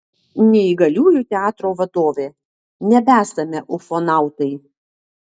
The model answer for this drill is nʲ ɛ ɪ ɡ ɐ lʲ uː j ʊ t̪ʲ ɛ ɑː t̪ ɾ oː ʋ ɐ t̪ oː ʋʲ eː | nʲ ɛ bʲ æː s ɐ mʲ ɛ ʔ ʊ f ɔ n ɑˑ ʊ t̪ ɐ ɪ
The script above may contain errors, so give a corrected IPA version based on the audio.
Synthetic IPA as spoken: nʲ ɛ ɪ ɡ ɐ lʲ uː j ʊ t̪ʲ ɛ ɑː t̪ ɾ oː ʋ ɐ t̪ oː ʋʲ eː | nʲ ɛ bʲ æː s ɐ mʲ ɛ ʔ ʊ f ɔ n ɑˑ ʊ t̪ ɐ ɪ